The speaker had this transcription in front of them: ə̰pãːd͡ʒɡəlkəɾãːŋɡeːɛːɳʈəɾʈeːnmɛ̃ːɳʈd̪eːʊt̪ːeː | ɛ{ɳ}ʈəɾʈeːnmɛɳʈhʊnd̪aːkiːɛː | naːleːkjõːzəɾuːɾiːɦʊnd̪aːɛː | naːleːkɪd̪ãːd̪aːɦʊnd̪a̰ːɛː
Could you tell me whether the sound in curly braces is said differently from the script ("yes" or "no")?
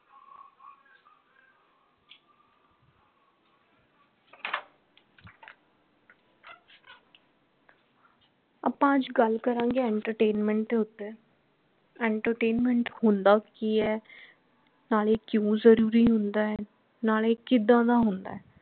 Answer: no